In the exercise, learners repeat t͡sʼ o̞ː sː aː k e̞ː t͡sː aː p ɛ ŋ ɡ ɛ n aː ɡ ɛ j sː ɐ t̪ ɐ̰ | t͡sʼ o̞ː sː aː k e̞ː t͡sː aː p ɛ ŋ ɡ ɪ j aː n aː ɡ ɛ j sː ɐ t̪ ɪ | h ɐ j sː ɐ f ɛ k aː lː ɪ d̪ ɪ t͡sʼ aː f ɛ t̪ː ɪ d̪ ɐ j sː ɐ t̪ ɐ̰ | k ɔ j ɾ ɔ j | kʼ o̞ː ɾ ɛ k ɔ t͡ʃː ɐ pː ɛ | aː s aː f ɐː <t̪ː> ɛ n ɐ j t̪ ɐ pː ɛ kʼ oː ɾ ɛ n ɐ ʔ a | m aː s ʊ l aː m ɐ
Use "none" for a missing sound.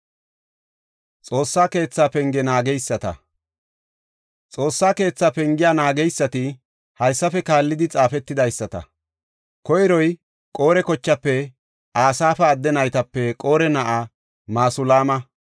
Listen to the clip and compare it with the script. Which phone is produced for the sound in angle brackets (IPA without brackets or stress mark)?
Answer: d̪ː